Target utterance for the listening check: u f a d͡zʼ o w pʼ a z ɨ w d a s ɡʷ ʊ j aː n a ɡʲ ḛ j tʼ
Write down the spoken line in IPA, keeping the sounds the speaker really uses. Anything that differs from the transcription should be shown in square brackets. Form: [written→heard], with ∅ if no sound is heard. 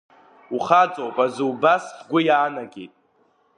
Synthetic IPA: u [f→χ] a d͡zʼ o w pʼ a z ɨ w [d→b] a s ɡʷ ʊ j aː n a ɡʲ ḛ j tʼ